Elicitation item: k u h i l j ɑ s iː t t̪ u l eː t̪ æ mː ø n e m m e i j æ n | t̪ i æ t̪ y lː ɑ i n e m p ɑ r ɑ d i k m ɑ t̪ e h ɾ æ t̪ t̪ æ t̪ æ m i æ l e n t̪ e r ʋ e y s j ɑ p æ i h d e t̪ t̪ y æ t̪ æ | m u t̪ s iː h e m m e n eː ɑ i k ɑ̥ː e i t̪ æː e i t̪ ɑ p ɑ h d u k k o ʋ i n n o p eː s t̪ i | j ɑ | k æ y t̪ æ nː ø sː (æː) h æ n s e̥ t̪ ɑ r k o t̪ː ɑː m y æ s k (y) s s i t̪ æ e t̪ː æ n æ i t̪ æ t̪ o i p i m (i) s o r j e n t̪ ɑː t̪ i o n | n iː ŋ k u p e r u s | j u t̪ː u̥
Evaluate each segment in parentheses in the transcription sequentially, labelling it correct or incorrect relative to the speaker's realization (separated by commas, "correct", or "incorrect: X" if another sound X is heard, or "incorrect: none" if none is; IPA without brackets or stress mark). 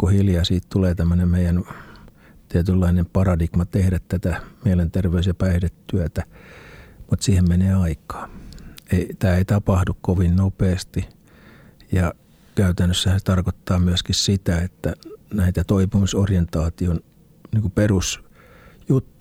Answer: incorrect: æ, incorrect: i, correct